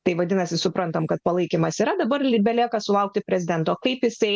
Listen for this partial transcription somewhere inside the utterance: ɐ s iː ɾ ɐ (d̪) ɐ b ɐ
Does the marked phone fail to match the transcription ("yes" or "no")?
no